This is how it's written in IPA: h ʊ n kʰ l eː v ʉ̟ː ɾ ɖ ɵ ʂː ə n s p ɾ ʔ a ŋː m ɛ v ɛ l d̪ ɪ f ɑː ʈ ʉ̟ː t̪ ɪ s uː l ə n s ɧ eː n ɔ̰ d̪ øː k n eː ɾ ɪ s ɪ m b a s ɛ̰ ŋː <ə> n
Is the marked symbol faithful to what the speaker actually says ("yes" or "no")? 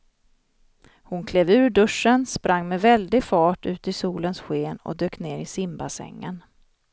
yes